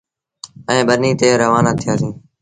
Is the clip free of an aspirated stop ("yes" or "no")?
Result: no